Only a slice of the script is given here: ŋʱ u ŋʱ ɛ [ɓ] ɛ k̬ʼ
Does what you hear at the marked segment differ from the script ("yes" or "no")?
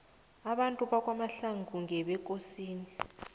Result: no